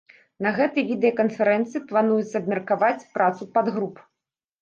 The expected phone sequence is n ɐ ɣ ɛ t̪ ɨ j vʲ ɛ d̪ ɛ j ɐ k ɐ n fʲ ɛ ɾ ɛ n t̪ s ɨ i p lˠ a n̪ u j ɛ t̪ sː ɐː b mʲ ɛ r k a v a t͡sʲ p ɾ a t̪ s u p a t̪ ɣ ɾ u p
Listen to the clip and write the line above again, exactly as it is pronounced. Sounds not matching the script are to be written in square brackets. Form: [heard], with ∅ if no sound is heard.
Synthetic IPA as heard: n ɐ ɣ ɛ t̪ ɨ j vʲ [i] d̪ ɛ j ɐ k ɐ n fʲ ɛ ɾ ɛ n t̪ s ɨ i p lˠ a n̪ u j ɛ t̪ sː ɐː b mʲ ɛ r k a v a t͡sʲ p ɾ a t̪ s u p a [d̪] ɣ ɾ u p